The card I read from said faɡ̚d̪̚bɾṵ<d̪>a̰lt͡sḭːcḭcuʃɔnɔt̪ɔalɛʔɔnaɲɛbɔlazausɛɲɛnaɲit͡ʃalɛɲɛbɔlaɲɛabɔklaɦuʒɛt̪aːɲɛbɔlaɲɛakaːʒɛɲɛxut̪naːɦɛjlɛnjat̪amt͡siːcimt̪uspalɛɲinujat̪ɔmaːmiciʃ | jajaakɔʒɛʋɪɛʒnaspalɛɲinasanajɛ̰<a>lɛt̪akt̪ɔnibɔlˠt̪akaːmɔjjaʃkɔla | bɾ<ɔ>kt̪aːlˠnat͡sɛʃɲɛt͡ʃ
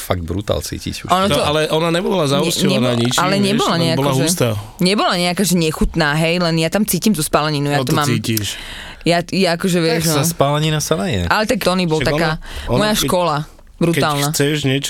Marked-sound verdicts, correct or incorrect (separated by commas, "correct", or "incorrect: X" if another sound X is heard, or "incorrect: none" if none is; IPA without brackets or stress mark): incorrect: t̪, correct, incorrect: u